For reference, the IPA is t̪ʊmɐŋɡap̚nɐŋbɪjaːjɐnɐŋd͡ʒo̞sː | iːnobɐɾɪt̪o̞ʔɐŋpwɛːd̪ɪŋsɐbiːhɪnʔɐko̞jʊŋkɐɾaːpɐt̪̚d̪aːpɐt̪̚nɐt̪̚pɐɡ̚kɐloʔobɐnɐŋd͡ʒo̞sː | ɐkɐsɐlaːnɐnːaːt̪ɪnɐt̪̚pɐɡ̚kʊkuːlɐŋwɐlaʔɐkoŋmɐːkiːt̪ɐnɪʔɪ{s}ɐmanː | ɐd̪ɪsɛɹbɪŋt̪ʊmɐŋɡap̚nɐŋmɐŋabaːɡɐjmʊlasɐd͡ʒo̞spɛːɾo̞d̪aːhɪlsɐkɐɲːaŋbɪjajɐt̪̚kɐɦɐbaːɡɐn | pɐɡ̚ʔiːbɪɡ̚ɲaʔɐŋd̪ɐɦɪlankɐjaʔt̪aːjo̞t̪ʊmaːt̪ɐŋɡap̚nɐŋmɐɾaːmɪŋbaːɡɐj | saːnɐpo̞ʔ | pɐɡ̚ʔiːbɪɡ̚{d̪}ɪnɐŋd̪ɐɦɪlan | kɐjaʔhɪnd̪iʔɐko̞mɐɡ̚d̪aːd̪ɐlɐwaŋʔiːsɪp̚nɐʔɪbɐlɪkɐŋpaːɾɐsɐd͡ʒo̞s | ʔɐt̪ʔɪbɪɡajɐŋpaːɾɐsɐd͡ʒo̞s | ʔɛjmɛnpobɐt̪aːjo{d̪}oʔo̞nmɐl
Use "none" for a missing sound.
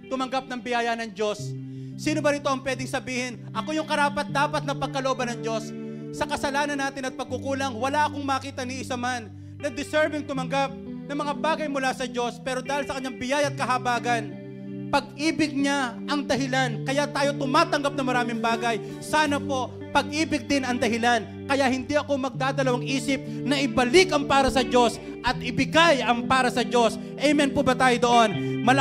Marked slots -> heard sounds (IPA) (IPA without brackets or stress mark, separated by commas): s, d̪, d̪